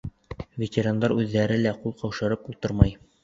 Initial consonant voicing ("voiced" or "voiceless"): voiced